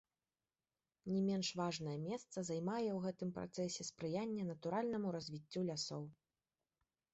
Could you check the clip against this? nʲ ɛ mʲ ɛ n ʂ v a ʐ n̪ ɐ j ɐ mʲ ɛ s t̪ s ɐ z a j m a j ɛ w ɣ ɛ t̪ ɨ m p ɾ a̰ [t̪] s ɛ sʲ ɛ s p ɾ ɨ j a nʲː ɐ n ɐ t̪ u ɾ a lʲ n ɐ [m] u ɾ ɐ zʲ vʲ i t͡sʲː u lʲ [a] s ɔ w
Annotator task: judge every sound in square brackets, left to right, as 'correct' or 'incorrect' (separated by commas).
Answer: correct, correct, correct